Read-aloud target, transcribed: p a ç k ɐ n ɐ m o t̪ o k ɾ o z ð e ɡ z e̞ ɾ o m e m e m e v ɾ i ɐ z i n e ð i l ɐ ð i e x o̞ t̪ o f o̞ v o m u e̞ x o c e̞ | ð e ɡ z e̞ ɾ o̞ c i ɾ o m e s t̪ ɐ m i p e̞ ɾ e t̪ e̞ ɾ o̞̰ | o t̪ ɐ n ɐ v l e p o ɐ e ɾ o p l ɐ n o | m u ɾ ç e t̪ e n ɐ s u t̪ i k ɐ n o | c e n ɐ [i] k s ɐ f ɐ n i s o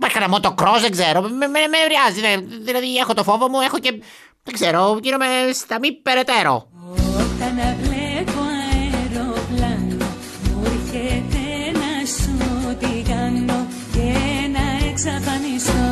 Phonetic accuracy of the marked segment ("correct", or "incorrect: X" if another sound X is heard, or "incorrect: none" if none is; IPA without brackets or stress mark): incorrect: e